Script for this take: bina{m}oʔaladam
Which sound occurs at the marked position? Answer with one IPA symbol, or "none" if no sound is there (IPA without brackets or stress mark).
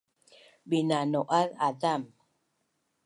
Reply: n